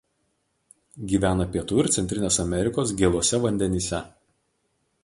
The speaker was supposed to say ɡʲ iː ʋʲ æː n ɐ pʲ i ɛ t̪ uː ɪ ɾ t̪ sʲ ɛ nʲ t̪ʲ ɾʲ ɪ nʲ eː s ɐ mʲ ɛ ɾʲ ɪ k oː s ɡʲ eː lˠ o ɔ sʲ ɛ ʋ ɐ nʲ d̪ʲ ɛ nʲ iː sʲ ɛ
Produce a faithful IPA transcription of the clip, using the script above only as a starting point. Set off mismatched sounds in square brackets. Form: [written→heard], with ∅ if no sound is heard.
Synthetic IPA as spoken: ɡʲ iː ʋʲ æː n ɐ pʲ i ɛ t̪ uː ɪ ɾ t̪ sʲ ɛ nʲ t̪ʲ ɾʲ ɪ nʲ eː s ɐ mʲ ɛ ɾʲ ɪ k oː s ɡʲ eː lˠ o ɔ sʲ ɛ ʋ ɐ nʲ d̪ʲ ɛ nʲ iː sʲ ɛ